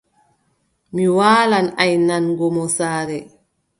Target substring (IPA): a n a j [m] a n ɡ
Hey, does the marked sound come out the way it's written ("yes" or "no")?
no